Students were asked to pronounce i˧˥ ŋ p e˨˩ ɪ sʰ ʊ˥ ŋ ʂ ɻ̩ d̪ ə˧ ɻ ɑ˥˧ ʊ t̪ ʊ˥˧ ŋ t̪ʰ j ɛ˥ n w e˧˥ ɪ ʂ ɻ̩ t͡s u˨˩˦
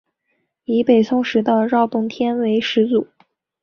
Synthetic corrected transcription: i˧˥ p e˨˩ ɪ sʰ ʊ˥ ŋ ʂ ɻ̩ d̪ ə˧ ɻ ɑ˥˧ ʊ t̪ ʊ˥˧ ŋ t̪ʰ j ɛ˥ n w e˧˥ ɪ ʂ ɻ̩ t͡s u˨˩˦

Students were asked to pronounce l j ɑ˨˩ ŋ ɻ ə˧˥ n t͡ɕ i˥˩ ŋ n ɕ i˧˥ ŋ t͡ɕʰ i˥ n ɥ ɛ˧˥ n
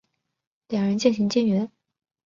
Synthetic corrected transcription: l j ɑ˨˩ ŋ ɻ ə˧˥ n t͡ɕ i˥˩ n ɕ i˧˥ ŋ t͡ɕ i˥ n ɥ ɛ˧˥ n

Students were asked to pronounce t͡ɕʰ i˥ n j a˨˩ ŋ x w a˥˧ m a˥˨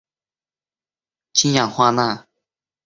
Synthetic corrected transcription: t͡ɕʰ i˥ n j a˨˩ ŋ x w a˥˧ n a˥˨

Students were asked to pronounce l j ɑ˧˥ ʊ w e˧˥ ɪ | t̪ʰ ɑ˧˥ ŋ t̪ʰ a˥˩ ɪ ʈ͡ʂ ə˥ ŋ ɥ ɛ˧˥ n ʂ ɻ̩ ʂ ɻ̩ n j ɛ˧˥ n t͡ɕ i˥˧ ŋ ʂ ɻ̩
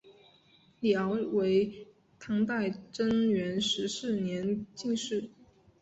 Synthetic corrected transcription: l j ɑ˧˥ ʊ w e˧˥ ɪ | t̪ʰ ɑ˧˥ ŋ t̪ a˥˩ ɪ ʈ͡ʂ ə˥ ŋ ɥ ɛ˧˥ n ʂ ɻ̩ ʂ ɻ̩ n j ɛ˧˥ n t͡ɕ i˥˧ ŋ ʂ ɻ̩

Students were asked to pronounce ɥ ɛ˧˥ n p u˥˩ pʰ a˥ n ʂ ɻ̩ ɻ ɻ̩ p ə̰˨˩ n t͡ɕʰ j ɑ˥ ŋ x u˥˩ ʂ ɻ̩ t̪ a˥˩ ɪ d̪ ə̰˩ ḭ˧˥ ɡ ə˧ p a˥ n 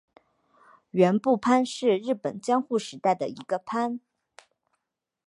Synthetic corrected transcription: ɥ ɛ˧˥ n p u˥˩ pʰ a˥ n ʂ ɻ̩ ɻ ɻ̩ p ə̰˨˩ n t͡ɕ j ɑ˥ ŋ x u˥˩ ʂ ɻ̩ t̪ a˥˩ ɪ d̪ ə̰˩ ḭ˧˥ ɡ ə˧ pʰ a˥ n

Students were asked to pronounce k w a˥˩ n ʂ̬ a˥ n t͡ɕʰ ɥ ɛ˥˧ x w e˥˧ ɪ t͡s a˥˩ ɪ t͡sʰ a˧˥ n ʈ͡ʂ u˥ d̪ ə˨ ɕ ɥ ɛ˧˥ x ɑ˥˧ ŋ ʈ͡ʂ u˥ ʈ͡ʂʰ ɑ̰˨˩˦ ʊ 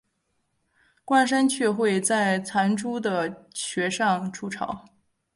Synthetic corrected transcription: k w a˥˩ n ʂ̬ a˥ n t͡ɕʰ ɥ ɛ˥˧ x w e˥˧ ɪ t͡s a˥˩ ɪ t͡sʰ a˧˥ n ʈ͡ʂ u˥ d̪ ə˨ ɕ ɥ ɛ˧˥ ʂ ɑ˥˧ ŋ ʈ͡ʂʰ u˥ ʈ͡ʂʰ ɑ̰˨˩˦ ʊ

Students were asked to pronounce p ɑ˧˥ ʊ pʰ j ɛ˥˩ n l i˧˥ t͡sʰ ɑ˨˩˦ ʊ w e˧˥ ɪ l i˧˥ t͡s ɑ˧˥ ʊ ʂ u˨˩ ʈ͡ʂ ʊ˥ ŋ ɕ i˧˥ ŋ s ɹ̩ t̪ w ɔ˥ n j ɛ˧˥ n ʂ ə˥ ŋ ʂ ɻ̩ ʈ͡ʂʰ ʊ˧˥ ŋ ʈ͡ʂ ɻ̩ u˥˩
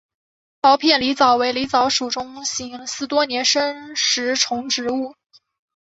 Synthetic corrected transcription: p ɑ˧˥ ʊ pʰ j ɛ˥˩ n l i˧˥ t͡s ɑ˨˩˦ ʊ w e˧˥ ɪ l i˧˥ t͡s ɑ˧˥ ʊ ʂ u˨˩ ʈ͡ʂ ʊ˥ ŋ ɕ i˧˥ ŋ s ɹ̩ t̪ w ɔ˥ n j ɛ˧˥ n ʂ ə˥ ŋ ʂ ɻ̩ ʈ͡ʂʰ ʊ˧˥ ŋ ʈ͡ʂ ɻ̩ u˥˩

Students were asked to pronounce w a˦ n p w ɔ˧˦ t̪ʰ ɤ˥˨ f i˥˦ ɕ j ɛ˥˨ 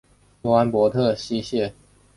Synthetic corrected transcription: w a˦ n p w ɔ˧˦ t̪ʰ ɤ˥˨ ɕ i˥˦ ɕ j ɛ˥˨

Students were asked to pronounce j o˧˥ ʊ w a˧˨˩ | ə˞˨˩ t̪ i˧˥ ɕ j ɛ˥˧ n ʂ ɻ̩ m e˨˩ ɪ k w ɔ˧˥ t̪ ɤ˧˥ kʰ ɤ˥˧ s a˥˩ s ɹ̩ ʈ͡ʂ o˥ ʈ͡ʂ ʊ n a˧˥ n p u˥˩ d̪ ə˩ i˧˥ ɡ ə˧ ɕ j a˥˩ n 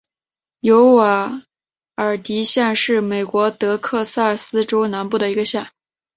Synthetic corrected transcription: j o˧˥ ʊ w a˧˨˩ | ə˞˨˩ t̪ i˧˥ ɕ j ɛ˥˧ n ʂ ɻ̩ m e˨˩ ɪ k w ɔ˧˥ t̪ ɤ˧˥ kʰ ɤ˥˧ s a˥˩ s ɹ̩ ʈ͡ʂ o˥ ʊ n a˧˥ n p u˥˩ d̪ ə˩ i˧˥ ɡ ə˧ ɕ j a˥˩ n

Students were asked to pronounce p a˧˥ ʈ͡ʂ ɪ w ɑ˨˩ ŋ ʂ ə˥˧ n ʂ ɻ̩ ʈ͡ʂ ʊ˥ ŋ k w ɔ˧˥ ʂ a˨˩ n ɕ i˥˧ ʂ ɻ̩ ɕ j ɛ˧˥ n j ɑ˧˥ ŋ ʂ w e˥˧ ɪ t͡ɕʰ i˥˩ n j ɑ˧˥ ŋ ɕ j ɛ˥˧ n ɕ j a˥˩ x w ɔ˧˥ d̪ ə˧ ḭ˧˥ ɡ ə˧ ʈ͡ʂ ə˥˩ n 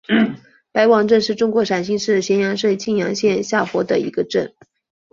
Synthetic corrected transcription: p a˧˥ ɪ w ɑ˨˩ ŋ ʈ͡ʂ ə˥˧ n ʂ ɻ̩ ʈ͡ʂ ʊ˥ ŋ k w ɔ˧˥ ʂ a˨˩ n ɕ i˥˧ ʂ ɻ̩ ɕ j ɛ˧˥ n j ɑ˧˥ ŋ ʂ w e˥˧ ɪ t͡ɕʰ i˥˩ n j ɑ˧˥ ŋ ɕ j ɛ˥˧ n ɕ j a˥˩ x w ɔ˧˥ d̪ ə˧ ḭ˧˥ ɡ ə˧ ʈ͡ʂ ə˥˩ n

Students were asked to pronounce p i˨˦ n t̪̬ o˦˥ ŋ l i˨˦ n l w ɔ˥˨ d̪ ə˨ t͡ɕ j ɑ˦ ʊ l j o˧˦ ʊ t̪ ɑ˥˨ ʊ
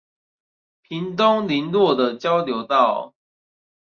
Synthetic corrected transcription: pʰ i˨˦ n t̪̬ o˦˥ ŋ l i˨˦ n l w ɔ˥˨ d̪ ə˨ t͡ɕ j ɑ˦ ʊ l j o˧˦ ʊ t̪ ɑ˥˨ ʊ

